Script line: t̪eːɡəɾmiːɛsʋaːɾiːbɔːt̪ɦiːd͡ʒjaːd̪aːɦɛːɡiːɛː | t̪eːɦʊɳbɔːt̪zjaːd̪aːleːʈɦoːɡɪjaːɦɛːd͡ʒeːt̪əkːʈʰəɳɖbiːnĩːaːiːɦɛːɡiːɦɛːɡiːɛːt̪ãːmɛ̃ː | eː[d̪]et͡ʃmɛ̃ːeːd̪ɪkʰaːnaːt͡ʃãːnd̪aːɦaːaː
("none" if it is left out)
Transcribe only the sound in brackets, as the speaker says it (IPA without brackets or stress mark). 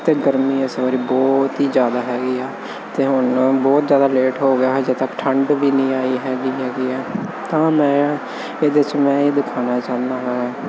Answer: d̪